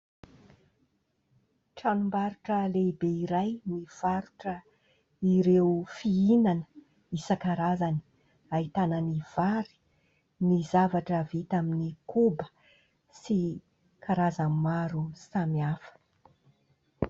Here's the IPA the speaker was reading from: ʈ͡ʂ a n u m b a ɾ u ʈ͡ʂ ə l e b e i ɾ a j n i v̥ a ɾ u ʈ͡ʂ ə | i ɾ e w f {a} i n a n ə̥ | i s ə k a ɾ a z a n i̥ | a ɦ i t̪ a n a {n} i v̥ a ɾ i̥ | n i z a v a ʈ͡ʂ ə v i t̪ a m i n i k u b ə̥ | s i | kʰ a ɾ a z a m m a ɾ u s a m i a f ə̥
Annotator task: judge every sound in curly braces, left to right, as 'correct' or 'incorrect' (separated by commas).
incorrect, correct